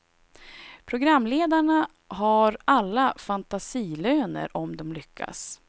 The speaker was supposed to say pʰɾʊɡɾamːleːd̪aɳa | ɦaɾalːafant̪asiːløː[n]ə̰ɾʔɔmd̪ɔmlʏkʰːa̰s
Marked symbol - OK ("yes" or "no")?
yes